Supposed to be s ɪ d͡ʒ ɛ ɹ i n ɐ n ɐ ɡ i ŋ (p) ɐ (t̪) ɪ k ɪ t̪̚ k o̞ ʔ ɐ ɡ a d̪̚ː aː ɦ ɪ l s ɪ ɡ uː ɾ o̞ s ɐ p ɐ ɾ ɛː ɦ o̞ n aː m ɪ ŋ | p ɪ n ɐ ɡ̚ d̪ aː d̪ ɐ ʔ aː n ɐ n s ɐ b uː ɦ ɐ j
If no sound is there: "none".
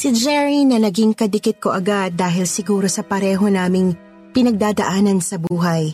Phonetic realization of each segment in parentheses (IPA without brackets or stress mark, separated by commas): k, d̪